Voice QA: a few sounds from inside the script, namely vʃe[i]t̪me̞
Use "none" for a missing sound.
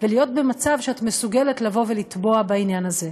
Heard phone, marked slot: a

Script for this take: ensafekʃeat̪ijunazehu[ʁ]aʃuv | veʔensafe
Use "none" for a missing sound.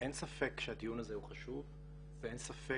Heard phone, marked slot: χ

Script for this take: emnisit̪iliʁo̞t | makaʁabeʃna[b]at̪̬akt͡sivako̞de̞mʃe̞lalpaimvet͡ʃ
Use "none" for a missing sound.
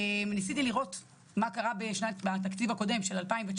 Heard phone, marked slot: b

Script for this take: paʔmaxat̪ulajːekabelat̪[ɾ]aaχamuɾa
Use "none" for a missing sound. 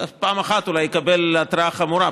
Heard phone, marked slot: ɾ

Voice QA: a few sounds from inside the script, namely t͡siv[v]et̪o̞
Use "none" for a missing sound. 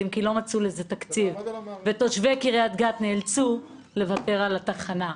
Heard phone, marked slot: v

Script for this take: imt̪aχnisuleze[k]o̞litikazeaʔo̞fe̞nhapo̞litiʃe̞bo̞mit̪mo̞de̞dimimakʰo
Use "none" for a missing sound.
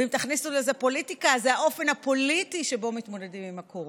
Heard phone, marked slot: p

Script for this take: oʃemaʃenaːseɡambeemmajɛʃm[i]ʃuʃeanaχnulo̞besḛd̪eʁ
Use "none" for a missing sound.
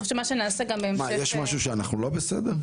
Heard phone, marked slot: a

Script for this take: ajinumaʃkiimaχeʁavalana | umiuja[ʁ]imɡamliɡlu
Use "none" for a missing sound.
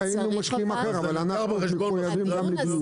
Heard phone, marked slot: v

